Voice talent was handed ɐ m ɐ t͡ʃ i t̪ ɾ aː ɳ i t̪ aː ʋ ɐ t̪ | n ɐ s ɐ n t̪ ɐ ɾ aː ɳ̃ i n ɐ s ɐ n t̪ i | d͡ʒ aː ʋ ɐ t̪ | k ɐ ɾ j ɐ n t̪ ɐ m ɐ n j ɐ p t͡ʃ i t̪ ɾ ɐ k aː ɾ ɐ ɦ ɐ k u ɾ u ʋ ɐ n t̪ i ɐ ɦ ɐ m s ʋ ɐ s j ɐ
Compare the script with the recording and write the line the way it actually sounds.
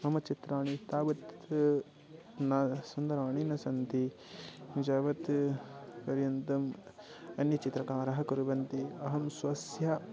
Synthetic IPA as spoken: ɐ m ɐ t͡ʃ i t̪ ɾ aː ɳ i t̪ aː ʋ ɐ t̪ | n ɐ s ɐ n d̪ ɐ ɾ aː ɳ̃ i n ɐ s ɐ n t̪ i | d͡ʒ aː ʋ ɐ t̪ | p ɐ ɾ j ɐ n t̪ ɐ m ɐ n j ɐ t͡ʃ i t̪ ɾ ɐ k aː ɾ ɐ ɦ ɐ k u ɾ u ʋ ɐ n t̪ i ɐ ɦ ɐ m s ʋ ɐ s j ɐ